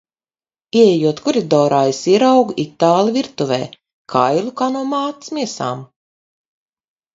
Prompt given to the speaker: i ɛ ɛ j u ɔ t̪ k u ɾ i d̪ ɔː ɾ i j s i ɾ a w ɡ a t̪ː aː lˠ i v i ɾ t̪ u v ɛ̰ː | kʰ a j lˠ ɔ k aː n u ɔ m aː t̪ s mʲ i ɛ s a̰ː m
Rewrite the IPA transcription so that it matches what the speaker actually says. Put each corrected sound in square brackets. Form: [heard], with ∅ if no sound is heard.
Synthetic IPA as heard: i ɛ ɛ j u ɔ t̪ k u ɾ i d̪ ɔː ɾ [a] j s i ɾ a w ɡ [i] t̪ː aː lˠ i v i ɾ t̪ u v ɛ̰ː | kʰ a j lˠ [u] k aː n u ɔ m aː t̪ s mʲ i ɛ s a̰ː m